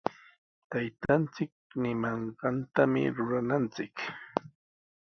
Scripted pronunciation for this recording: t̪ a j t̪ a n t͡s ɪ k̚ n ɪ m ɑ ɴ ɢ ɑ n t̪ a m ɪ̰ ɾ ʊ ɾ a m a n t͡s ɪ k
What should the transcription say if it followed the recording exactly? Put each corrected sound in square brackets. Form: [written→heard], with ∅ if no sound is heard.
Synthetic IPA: t̪ a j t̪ a n t͡s ɪ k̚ n ɪ m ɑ ɴ ɢ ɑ n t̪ a m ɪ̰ ɾ ʊ ɾ a [m→n] a n t͡s ɪ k